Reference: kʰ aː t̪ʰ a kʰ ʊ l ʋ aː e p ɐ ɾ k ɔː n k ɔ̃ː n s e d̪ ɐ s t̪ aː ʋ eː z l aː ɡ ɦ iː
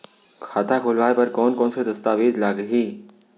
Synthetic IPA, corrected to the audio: kʰ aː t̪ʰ a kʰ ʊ l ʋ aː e p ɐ ɾ k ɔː n k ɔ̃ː n s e d̪ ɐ s t̪ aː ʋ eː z l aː ɡ ɦ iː